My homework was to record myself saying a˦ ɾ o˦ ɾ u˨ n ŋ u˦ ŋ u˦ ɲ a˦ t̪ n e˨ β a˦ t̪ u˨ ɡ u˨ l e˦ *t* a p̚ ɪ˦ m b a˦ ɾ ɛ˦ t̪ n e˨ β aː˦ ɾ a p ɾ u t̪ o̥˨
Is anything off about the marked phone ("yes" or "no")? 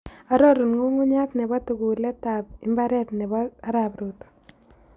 no